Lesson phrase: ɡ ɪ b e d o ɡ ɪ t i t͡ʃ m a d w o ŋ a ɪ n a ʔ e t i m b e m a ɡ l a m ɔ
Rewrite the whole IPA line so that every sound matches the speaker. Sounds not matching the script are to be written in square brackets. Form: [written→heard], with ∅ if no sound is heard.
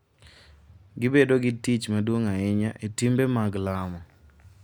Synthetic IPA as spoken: ɡ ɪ b e d o ɡ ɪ t i t͡ʃ m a d w o ŋ a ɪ [n→ɲ] a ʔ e t i m b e m a ɡ l a m ɔ